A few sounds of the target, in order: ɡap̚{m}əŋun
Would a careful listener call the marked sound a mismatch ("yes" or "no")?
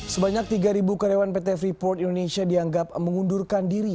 no